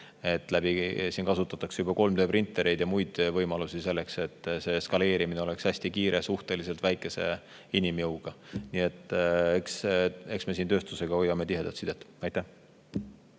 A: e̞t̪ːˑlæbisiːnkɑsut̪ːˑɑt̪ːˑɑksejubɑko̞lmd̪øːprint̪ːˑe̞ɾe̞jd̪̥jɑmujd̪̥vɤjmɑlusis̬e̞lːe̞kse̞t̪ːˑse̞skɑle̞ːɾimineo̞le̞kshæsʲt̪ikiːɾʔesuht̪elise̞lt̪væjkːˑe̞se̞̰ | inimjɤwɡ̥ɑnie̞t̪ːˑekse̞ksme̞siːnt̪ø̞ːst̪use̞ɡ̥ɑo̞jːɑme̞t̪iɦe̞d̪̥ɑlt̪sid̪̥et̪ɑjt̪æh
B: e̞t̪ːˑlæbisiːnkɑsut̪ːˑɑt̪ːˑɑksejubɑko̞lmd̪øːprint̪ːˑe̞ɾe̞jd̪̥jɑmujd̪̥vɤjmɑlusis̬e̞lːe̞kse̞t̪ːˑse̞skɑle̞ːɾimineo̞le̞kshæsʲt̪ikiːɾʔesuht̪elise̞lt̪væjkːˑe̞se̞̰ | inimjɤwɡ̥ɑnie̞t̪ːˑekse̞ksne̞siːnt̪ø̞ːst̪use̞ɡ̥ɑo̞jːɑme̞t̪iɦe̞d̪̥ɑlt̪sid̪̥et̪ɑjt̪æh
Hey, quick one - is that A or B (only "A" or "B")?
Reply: A